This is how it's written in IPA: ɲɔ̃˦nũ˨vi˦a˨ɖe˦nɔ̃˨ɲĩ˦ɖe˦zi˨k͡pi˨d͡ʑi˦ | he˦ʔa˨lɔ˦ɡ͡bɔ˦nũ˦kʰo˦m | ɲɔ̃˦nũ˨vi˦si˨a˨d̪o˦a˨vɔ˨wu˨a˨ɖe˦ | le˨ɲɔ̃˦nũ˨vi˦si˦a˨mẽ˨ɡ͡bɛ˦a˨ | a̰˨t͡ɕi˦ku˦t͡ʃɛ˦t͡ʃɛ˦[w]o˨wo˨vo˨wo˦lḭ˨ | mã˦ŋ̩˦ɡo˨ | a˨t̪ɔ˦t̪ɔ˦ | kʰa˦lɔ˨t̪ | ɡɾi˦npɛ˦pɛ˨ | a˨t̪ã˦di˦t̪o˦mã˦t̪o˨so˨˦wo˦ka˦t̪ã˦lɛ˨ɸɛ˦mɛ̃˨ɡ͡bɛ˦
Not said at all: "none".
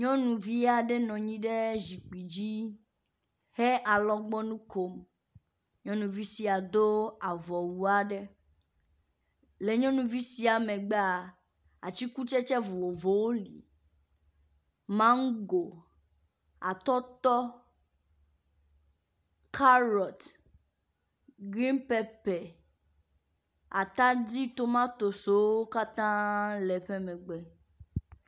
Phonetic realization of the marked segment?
v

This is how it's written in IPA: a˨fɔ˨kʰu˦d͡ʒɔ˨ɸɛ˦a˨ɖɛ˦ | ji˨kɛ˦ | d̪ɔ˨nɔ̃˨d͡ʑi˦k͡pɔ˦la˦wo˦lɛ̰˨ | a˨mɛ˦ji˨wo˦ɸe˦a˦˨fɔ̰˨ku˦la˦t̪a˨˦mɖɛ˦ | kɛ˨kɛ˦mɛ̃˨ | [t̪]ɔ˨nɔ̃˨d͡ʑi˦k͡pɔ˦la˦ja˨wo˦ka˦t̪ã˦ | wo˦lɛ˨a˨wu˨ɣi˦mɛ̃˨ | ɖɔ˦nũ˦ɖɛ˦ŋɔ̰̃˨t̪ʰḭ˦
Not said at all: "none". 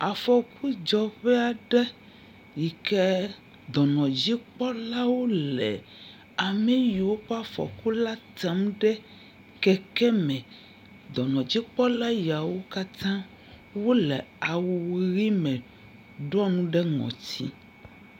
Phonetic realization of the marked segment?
d̪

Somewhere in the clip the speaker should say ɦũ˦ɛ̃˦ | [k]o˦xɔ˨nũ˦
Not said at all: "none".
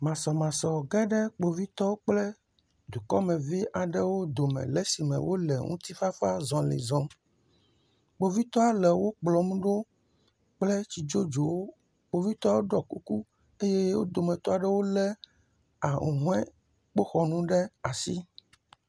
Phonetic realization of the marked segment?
k͡p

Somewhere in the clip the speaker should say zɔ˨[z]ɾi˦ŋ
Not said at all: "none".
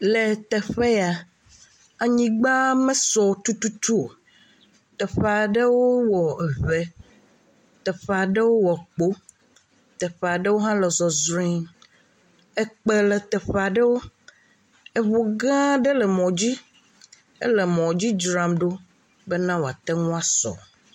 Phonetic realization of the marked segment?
z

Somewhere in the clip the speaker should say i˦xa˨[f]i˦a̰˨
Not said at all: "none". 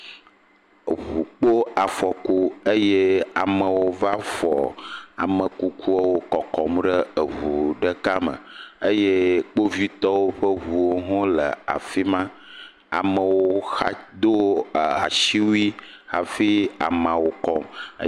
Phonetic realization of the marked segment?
f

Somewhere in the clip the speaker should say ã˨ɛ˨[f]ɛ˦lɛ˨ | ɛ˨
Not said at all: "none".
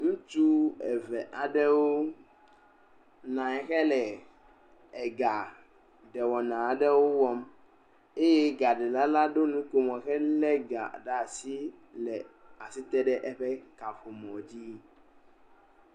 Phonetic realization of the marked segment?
x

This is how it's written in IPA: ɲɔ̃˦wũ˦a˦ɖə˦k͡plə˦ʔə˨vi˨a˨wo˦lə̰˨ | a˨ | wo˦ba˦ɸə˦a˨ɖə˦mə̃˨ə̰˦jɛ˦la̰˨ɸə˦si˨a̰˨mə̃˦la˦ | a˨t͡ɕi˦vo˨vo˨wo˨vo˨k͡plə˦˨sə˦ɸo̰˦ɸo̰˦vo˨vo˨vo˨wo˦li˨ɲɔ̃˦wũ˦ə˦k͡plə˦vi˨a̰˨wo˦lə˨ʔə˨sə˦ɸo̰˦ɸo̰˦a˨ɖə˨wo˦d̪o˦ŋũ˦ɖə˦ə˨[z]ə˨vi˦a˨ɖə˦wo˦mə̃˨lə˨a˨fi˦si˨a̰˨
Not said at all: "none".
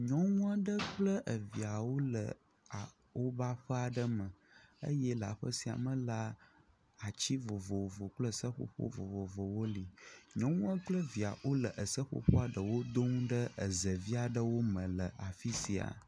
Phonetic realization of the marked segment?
z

